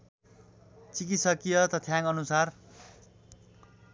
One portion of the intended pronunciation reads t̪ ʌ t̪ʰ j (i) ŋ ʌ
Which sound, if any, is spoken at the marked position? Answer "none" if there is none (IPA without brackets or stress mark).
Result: a